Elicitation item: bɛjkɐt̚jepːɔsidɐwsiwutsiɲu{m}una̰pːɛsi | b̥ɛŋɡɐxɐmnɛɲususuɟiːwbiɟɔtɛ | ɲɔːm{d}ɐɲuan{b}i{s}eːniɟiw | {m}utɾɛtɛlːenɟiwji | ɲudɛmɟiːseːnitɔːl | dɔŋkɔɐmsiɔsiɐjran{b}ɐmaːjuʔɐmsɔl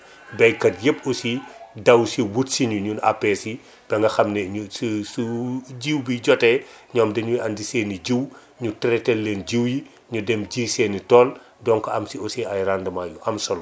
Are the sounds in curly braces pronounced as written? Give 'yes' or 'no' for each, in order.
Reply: no, yes, no, yes, no, no

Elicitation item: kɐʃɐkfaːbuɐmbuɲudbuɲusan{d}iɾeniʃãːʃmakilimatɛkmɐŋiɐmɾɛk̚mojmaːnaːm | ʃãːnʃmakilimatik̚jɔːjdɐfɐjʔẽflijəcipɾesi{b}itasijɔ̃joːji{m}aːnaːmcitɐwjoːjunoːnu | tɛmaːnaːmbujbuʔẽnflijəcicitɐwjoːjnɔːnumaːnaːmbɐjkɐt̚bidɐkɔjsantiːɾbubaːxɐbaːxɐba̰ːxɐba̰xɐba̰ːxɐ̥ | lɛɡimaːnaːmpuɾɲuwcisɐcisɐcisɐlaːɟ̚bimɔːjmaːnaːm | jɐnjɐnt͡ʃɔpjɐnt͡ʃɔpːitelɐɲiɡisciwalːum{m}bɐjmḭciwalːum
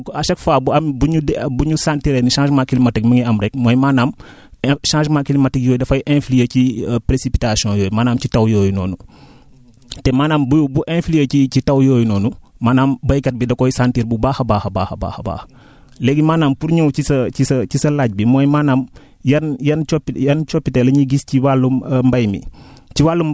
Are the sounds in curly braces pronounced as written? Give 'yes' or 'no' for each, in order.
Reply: no, no, yes, yes

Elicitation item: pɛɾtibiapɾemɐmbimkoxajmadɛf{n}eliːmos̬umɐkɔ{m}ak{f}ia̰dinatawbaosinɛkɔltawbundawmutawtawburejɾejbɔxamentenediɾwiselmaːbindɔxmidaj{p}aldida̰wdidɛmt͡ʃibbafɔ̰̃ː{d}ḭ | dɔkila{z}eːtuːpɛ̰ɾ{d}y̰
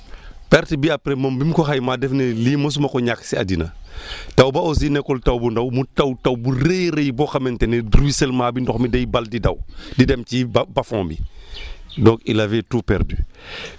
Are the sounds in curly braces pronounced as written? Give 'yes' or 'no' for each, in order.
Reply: yes, no, no, no, no, no, yes

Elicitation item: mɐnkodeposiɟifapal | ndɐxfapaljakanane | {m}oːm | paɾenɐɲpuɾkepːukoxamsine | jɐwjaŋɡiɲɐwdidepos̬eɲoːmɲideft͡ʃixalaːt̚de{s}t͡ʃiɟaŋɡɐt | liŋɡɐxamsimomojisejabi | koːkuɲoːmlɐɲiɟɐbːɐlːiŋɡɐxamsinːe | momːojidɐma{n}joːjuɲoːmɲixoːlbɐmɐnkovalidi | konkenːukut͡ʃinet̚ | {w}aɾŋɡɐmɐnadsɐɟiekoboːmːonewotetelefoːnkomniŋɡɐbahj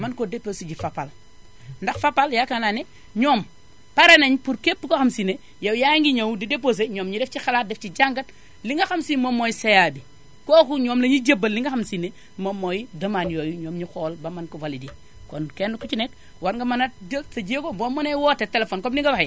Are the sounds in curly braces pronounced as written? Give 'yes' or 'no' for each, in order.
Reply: no, no, yes, yes

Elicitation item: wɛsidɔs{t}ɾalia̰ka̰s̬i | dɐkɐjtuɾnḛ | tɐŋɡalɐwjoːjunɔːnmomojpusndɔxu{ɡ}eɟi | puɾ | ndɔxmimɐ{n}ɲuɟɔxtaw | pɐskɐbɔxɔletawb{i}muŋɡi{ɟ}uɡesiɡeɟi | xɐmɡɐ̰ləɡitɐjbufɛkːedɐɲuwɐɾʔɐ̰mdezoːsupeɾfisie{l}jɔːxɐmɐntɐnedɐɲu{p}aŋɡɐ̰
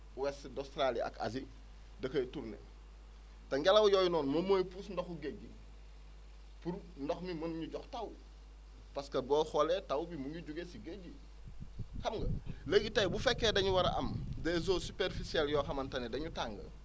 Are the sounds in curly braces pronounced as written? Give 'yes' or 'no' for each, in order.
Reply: yes, yes, yes, yes, yes, yes, no

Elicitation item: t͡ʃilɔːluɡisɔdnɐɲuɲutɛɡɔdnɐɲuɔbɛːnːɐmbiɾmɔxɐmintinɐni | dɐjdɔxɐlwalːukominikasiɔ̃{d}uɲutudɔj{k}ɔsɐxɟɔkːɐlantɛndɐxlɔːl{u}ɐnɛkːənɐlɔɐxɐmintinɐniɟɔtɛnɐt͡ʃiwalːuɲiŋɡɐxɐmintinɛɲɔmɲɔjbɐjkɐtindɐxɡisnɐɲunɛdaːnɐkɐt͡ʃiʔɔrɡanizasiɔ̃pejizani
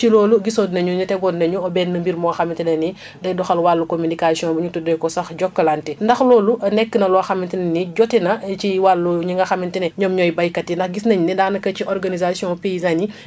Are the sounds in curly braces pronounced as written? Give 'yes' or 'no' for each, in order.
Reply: no, yes, yes

